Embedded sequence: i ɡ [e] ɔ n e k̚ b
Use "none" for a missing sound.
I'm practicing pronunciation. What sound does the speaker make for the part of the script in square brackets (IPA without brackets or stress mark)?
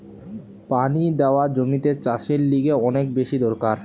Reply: e